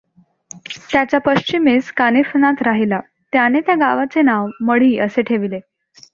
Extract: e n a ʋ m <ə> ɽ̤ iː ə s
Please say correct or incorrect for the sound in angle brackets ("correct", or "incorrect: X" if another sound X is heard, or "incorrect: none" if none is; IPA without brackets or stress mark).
correct